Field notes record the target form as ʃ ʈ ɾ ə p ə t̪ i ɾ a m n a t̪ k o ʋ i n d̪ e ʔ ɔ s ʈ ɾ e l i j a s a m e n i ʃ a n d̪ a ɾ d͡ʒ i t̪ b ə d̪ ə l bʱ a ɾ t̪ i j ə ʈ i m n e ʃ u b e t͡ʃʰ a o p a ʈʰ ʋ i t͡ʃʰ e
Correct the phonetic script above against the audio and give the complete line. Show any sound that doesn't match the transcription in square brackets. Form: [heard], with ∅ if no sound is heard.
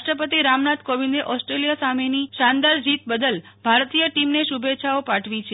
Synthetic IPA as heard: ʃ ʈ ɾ ə p ə t̪ i ɾ a m n a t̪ k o ʋ i n d̪ e ʔ ɔ s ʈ ɾ e l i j a s a m e n i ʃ a n d̪ a ɾ d͡ʒ i t̪ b ə d̪ ə l bʱ a ɾ t̪ i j ə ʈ i m n e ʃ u b e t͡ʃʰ a o p a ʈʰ ʋ i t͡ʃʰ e